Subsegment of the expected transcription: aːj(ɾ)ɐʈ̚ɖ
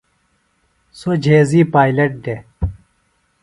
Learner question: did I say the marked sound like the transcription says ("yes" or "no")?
no